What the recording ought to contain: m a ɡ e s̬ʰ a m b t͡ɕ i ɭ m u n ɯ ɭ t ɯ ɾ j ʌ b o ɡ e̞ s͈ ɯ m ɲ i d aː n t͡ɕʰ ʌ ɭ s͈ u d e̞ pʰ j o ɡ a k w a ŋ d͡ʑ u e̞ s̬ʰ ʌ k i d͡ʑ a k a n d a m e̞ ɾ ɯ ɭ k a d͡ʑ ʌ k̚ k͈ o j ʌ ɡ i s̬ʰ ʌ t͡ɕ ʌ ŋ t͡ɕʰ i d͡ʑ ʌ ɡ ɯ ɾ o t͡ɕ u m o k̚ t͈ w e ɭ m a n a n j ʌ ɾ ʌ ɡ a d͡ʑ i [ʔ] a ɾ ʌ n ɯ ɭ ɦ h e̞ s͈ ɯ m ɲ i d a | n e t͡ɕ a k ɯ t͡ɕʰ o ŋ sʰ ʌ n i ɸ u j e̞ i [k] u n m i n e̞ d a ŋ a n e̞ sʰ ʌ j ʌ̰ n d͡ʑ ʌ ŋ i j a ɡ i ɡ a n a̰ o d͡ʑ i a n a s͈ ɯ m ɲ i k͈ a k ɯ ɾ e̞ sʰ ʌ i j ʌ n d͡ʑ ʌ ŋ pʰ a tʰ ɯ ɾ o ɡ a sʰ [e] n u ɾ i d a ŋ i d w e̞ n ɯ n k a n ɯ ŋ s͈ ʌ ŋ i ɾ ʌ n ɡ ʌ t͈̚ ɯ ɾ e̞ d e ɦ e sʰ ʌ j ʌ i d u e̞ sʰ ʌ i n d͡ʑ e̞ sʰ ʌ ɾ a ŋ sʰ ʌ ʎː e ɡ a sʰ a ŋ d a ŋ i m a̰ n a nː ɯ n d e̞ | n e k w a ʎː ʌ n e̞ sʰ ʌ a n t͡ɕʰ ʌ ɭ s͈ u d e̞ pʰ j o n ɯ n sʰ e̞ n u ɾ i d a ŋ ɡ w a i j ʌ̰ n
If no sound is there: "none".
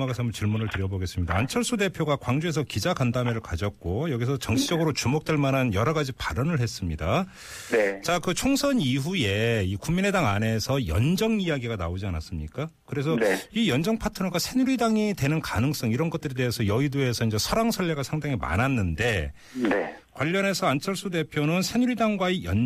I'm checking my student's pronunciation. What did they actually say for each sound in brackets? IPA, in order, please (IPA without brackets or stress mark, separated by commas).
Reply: p, k, e